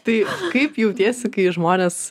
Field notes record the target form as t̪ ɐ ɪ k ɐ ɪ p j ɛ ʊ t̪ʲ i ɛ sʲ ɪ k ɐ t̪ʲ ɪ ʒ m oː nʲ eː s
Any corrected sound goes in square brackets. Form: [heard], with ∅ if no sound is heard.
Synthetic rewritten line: t̪ ɐ ɪ k ɐ ɪ p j ɛ ʊ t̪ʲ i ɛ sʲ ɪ k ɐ [∅] ɪ ʒ m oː nʲ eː s